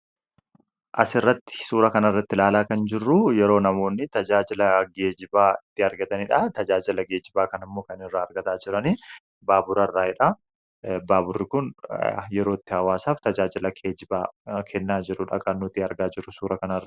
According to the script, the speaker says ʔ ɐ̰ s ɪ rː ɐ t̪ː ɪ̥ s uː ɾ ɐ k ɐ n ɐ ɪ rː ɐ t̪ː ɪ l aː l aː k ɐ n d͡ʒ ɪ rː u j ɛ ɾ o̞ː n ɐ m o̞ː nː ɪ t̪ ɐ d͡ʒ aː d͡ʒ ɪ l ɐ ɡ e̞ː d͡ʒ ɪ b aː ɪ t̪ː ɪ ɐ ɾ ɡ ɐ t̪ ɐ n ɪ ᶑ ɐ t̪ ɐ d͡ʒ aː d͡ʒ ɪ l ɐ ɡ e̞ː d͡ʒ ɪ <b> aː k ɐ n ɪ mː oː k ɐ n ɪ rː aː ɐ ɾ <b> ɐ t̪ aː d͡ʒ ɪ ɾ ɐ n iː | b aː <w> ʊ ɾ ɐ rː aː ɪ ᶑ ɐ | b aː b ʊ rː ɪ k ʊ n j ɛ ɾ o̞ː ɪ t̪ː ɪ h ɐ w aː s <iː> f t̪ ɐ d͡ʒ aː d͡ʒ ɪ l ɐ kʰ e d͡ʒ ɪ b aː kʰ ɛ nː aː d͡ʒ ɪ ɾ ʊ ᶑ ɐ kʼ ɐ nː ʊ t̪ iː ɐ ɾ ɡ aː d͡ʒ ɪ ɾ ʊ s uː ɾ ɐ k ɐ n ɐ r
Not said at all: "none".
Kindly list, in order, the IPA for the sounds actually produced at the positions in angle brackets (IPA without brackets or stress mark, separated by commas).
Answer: b, ɡ, b, aː